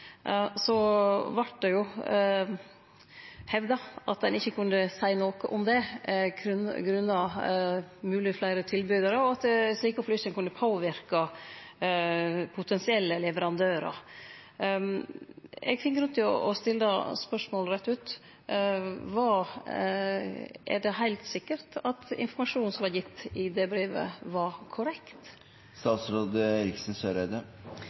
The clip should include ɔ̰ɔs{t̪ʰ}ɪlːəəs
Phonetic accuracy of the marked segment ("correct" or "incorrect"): incorrect